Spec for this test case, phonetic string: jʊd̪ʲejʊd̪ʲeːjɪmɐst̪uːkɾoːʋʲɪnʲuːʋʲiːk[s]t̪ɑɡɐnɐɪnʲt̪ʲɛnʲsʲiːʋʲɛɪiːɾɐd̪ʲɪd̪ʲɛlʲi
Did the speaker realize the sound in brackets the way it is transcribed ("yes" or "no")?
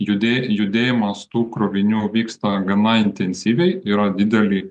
yes